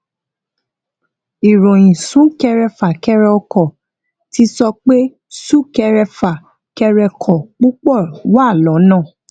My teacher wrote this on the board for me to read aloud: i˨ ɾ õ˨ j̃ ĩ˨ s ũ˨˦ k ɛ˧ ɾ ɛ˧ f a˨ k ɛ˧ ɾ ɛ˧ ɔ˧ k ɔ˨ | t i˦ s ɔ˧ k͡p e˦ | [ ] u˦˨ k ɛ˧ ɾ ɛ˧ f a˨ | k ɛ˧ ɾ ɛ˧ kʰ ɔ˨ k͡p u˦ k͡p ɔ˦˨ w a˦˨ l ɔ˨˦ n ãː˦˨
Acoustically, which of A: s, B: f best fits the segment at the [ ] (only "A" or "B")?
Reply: A